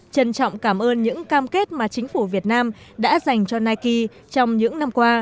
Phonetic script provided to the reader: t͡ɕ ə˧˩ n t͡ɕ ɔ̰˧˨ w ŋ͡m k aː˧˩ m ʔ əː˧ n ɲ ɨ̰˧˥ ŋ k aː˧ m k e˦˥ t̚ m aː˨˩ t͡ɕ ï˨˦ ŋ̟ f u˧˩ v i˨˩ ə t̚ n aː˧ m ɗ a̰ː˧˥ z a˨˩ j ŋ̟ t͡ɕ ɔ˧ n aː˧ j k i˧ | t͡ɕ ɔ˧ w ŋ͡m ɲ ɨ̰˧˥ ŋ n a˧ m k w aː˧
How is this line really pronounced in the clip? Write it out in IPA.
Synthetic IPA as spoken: t͡ɕ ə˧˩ n t͡ɕ ɔ̰˧˨ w ŋ͡m k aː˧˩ m ʔ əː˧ n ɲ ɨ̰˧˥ ŋ k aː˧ m k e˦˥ t̚ m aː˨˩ t͡ɕ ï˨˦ ŋ̟ f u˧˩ v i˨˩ ə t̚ n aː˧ m ɗ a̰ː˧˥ z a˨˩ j ŋ̟ t͡ɕ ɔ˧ n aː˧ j k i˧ | t͡ɕ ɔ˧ w ŋ͡m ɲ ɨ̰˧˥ ŋ n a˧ m k w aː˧

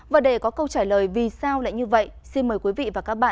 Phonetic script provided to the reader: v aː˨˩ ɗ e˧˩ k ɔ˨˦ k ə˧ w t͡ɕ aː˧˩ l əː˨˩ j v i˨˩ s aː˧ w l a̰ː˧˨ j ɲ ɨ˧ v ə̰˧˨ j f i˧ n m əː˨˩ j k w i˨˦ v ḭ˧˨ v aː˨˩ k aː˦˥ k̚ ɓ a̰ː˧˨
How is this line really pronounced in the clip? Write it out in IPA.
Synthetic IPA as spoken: v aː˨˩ ɗ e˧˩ k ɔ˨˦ k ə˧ w t͡ɕ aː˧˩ l əː˨˩ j v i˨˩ s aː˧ w l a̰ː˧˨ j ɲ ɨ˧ v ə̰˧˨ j s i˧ n m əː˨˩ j k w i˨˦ v ḭ˧˨ v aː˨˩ k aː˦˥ k̚ ɓ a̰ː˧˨

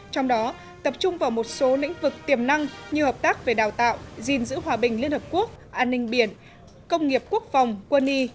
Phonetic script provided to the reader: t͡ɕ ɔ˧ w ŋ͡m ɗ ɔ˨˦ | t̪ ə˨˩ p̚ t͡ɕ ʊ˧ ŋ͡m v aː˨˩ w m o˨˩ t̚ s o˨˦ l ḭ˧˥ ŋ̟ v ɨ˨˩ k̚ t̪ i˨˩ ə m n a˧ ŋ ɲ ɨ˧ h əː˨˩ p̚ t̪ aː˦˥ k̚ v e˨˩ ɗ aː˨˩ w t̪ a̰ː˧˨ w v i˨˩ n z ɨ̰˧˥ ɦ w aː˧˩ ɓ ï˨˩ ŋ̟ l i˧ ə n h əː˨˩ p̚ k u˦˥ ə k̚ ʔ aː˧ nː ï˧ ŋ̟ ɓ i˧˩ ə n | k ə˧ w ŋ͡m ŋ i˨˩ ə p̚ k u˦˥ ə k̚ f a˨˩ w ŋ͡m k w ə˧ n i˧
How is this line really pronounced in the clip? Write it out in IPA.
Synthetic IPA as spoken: t͡ɕ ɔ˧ w ŋ͡m ɗ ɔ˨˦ | t̪ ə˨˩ p̚ t͡ɕ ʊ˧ ŋ͡m v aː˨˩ w m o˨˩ t̚ s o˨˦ l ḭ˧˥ ŋ̟ v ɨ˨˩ k̚ t̪ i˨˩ ə m n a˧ ŋ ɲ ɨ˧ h əː˨˩ p̚ t̪ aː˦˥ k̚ v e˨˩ ɗ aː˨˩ w t̪ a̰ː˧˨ w z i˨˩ n z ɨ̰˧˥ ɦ w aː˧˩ ɓ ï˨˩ ŋ̟ l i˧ ə n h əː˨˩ p̚ k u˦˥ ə k̚ ʔ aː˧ nː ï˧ ŋ̟ ɓ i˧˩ ə n | k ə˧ w ŋ͡m ŋ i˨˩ ə p̚ k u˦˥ ə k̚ f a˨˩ w ŋ͡m k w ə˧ n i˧

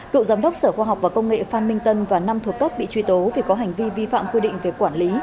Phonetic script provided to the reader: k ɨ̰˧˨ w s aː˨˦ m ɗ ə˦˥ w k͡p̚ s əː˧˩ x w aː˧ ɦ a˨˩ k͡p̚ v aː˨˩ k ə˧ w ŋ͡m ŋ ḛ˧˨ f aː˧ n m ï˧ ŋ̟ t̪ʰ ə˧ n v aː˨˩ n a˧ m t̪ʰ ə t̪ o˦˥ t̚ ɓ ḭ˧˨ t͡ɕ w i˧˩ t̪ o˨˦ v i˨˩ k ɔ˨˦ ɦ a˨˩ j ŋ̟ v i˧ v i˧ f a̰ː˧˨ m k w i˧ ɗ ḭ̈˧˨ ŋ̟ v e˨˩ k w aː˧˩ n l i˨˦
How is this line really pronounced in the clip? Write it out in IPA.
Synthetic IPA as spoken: k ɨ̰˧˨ w z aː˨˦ m ɗ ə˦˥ w k͡p̚ s əː˧˩ x w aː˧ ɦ a˨˩ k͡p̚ v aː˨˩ k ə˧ w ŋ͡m ŋ ḛ˧˨ f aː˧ n m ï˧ ŋ̟ t̪ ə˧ n v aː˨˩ n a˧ m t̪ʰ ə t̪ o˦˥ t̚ ɓ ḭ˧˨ t͡ɕ w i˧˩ t̪ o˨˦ v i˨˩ k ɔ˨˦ ɦ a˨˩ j ŋ̟ v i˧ v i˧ f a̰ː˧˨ m k w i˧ ɗ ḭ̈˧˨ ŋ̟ v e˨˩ k w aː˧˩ n l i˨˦

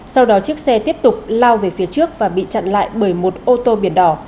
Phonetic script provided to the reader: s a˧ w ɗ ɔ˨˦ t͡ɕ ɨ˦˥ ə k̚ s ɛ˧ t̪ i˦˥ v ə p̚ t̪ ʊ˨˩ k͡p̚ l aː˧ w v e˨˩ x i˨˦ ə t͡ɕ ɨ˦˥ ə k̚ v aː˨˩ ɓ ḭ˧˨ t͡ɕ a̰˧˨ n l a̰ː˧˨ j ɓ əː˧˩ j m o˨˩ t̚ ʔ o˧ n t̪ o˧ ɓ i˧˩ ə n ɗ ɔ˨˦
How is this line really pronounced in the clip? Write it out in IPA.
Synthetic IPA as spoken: s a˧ w ɗ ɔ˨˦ t͡ɕ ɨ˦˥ ə k̚ s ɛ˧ t̪ i˦˥ ə p̚ t̪ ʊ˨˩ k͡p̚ l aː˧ w v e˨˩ f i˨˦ ə t͡ɕ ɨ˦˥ ə k̚ v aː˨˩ ɓ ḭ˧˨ t͡ɕ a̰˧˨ n l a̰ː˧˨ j ɓ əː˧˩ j m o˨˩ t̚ ʔ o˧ t̪ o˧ ɓ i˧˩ ə n ɗ ɔ˨˧˩

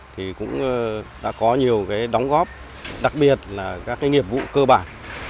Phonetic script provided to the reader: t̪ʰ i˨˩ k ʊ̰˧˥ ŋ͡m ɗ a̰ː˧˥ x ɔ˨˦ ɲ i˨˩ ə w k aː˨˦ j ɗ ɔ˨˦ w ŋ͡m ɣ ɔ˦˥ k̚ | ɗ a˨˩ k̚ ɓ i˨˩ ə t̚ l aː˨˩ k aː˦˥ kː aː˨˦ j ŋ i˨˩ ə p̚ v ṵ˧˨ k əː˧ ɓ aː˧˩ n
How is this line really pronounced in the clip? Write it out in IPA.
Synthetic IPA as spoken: t̪ʰ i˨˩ k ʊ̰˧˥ ŋ͡m ɗ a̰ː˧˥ k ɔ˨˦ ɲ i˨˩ ə w k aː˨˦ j ɗ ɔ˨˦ w ŋ͡m ɣ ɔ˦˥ p̚ | ɗ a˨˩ k̚ ɓ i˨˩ ə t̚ l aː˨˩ k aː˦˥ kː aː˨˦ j ŋ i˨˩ ə p̚ v ṵ˧˨ k əː˧ ɓ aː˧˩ n

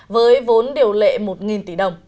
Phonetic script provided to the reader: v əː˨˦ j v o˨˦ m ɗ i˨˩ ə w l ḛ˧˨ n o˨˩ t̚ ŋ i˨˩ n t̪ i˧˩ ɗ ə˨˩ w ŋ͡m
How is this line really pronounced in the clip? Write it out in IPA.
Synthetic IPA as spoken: v əː˨˦ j v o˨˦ n ɗ i˨˩ ə w l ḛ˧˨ m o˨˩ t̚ ŋ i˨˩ n t̪ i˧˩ ɗ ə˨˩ w ŋ͡m

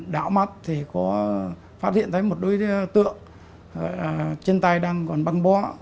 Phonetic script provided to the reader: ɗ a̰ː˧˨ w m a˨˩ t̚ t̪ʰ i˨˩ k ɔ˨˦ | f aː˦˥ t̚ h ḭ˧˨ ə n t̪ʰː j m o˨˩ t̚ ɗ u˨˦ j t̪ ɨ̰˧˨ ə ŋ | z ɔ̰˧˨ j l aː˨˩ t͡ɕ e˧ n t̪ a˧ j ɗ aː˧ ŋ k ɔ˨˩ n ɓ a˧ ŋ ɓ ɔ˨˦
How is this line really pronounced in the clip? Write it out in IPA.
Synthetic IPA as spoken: ɗ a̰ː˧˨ w m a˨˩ t̚ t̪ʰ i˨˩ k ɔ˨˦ | f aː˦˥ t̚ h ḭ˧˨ ə n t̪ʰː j m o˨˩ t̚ ɗ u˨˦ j t̪ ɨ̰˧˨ ə ŋ | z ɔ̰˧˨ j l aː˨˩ t͡ɕ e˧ n t̪ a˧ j ɗ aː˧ ŋ k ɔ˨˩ n ɓ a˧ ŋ ɓ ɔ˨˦

